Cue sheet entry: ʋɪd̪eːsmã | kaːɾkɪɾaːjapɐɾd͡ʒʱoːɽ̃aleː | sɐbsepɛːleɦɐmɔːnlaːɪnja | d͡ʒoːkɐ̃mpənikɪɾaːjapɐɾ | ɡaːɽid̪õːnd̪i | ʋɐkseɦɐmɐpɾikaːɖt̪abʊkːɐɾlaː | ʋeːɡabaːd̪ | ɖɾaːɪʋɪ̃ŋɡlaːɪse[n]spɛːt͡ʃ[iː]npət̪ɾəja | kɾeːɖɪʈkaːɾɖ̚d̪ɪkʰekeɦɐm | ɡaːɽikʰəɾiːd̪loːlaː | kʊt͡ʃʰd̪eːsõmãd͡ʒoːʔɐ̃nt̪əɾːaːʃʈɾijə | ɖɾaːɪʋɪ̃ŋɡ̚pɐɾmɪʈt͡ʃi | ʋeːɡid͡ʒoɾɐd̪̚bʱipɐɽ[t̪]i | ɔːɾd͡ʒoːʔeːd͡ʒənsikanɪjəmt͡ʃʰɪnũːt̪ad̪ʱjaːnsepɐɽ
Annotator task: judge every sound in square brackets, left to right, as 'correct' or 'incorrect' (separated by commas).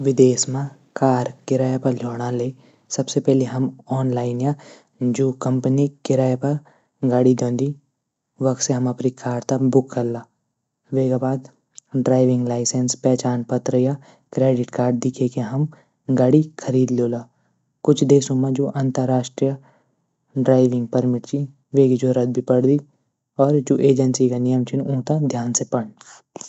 correct, incorrect, incorrect